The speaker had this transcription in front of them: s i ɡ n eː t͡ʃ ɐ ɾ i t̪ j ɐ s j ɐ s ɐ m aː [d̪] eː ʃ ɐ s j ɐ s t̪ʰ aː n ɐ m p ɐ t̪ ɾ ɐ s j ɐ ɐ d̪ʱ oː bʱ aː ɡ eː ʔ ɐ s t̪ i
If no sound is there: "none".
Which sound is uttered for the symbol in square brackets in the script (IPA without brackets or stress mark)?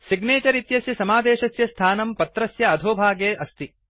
d̪